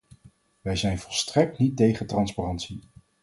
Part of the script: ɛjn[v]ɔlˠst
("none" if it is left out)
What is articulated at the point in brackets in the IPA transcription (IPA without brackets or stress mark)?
v